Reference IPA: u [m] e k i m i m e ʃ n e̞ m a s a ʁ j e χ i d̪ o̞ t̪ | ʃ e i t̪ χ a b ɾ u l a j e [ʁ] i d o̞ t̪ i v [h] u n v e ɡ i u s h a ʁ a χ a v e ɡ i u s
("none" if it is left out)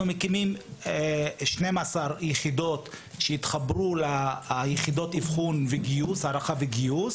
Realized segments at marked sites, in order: m, χ, χ

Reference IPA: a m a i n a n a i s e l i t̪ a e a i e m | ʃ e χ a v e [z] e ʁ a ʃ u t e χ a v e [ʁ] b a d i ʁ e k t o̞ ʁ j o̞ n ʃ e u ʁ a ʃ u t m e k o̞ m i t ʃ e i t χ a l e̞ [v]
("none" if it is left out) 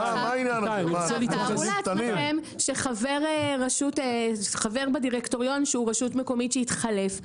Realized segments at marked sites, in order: ʁ, ʁ, f

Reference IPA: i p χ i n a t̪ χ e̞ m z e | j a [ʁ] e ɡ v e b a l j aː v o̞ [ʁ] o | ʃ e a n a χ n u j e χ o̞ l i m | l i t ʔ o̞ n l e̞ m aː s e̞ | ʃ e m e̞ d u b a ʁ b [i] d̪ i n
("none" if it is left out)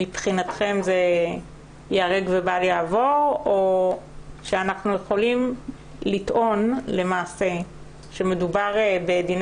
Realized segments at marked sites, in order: ʁ, ʁ, e

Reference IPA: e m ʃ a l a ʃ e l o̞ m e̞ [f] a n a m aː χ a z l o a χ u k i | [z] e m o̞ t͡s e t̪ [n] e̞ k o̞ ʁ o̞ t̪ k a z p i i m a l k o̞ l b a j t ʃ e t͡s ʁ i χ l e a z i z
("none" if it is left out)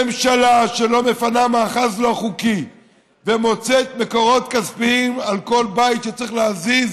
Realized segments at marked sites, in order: f, v, m

